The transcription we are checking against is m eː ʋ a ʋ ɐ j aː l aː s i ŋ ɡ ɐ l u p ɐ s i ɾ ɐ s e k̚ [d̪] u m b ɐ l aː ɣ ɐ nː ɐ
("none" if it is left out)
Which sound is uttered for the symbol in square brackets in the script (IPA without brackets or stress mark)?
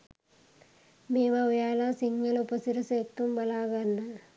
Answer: t̪